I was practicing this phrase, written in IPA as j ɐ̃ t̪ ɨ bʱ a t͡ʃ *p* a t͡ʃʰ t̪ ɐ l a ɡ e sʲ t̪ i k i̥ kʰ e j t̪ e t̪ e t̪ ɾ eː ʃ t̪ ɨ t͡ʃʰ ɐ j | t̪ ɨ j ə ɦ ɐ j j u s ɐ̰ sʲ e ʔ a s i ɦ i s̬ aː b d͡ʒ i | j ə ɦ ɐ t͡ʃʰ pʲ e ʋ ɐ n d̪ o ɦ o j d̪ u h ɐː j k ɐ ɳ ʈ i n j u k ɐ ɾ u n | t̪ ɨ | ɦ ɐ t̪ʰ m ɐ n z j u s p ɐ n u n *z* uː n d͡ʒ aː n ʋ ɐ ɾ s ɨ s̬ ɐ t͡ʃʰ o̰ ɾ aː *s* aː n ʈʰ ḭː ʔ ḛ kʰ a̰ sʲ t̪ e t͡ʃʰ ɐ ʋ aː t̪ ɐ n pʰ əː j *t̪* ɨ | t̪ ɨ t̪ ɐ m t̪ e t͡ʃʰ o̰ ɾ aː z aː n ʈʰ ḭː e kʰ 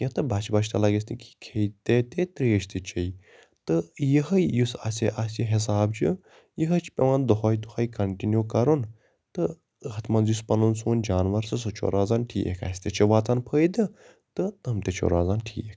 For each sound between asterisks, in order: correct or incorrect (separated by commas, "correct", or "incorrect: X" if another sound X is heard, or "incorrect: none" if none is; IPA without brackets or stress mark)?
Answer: incorrect: b, incorrect: s, incorrect: z, incorrect: d̪